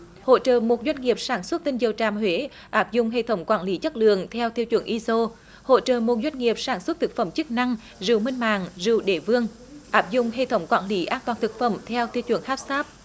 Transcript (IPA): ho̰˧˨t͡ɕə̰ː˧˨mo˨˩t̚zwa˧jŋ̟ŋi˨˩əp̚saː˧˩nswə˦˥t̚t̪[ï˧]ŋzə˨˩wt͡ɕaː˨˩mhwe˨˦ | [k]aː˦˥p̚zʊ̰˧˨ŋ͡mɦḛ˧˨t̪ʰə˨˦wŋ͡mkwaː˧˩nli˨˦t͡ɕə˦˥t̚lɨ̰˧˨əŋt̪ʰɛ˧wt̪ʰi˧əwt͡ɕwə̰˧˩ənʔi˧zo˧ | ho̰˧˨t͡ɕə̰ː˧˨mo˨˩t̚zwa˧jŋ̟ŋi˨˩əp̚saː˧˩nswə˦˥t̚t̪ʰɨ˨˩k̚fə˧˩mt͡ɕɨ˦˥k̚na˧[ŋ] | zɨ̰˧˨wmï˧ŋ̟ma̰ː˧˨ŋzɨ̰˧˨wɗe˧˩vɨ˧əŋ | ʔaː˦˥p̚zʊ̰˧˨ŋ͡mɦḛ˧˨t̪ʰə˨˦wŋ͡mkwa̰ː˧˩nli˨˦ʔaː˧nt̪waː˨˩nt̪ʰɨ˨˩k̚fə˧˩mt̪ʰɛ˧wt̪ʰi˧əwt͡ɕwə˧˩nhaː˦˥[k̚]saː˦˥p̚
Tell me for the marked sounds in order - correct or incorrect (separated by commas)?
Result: correct, incorrect, correct, incorrect